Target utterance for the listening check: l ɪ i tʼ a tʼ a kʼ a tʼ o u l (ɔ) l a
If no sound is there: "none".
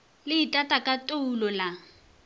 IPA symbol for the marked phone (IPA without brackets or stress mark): ɔ